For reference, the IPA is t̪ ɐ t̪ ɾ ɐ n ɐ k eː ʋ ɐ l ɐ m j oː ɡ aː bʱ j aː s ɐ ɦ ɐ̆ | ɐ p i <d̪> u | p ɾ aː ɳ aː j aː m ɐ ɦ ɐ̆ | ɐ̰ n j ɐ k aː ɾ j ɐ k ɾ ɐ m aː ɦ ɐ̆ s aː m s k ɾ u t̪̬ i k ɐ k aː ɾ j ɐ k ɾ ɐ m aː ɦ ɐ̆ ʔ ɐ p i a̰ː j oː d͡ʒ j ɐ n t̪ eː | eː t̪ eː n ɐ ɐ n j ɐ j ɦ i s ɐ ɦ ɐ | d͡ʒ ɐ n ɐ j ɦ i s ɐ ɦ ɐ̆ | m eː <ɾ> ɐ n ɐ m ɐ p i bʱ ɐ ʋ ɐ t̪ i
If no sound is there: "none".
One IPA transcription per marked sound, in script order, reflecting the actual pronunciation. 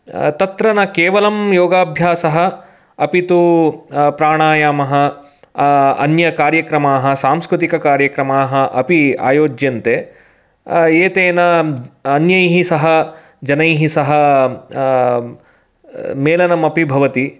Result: t̪, l

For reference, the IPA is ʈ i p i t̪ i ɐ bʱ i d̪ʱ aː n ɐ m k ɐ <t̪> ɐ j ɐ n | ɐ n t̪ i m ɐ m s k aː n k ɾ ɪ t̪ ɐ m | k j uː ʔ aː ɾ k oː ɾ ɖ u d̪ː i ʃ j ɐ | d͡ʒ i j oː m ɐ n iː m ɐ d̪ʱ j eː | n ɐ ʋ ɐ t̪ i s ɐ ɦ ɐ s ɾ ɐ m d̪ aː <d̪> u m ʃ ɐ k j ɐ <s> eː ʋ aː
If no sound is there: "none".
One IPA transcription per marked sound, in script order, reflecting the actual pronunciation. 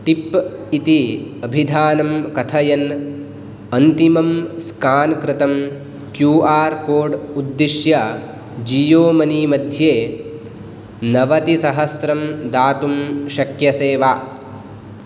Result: t̪ʰ, t̪, s

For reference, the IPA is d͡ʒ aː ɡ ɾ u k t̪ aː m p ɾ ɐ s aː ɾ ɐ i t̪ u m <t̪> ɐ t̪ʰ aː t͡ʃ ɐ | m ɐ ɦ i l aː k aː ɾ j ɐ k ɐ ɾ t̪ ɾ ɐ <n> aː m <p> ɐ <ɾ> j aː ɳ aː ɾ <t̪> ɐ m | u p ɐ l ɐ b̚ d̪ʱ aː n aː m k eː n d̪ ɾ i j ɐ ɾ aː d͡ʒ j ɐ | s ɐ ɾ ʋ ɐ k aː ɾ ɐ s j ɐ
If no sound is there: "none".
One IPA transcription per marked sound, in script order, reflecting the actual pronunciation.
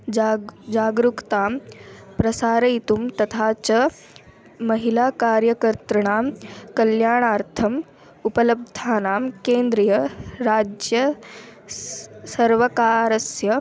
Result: t̪, ɳ, k, l, t̪ʰ

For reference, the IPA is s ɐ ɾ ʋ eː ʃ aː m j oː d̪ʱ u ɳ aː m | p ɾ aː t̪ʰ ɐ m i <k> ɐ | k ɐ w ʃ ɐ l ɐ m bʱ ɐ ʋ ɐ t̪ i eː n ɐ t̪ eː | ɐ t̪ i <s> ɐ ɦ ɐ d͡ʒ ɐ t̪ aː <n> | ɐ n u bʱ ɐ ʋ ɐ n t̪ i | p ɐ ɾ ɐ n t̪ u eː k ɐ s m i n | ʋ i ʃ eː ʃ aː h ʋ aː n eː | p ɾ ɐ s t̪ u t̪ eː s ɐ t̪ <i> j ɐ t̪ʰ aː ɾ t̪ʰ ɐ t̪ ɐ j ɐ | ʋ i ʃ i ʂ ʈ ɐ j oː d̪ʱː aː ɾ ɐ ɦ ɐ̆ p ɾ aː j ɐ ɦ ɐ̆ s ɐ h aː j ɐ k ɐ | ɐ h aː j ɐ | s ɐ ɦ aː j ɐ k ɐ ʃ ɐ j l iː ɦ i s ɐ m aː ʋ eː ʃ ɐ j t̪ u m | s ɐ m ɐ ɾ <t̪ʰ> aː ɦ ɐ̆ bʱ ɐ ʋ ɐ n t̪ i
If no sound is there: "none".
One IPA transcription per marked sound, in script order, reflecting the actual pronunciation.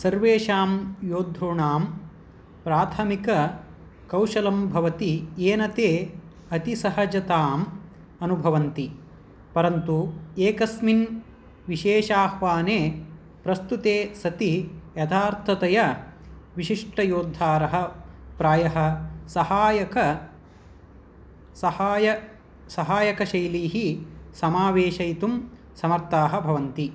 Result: k, s, m, i, t̪

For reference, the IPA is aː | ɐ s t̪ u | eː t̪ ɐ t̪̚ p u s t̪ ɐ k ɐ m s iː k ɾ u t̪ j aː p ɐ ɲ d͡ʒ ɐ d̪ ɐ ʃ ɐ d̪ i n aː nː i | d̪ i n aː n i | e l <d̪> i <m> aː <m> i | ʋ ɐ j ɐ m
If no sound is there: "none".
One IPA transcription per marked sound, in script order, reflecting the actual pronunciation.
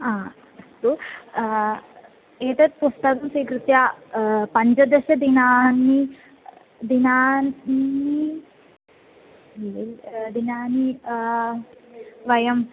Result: d̪, n, n

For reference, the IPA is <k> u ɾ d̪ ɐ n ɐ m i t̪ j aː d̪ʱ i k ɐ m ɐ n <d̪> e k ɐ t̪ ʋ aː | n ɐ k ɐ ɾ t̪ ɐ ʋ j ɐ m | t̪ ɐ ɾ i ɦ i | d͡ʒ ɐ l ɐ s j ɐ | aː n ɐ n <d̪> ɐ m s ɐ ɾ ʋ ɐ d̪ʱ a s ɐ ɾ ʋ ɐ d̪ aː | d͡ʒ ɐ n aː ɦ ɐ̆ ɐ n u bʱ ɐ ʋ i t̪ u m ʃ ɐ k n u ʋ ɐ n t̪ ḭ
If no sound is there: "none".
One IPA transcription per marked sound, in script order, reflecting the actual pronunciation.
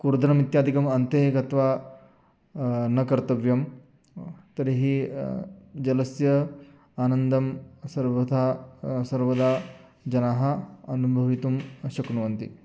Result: k, t̪, d̪

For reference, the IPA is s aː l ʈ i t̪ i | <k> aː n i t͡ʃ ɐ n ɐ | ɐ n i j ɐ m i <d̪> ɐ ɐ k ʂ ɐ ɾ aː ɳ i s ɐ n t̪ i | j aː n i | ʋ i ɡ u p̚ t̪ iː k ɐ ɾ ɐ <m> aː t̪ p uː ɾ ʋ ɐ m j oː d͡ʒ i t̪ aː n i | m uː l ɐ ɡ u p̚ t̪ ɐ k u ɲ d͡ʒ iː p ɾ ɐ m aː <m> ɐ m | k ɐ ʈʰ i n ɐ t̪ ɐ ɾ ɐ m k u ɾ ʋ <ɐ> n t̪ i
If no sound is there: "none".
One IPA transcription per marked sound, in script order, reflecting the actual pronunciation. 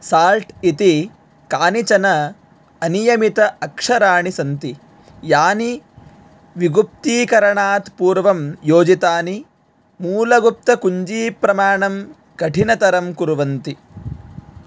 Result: k, t̪, ɳ, ɳ, ɐ

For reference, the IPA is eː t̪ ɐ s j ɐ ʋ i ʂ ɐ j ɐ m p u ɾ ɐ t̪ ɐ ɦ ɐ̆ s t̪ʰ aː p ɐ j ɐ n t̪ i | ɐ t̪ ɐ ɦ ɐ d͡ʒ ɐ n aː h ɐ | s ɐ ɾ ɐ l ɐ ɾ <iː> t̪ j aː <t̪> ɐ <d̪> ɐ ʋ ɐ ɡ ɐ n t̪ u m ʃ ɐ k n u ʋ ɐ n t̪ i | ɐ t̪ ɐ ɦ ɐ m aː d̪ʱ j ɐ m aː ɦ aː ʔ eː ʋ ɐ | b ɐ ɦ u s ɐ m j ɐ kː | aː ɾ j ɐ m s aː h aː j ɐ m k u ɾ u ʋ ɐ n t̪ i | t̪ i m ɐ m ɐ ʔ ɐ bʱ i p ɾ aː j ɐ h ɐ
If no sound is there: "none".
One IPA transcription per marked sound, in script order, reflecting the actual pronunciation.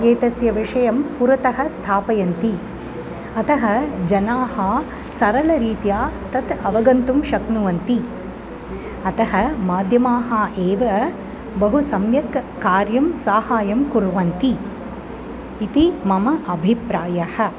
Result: iː, t̪, t̪

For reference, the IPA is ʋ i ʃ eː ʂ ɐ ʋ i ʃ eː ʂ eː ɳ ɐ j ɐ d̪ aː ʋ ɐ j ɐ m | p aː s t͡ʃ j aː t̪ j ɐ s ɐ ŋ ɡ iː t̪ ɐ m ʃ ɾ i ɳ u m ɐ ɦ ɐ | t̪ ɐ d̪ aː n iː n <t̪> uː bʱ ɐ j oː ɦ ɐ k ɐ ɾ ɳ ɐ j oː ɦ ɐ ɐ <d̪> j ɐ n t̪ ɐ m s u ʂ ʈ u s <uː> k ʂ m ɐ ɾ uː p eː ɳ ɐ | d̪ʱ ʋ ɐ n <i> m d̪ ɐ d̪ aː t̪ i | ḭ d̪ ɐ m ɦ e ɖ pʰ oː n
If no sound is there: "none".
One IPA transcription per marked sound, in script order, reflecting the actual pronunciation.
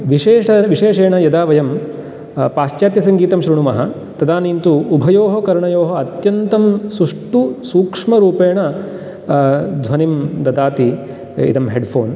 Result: t̪, t̪, uː, i

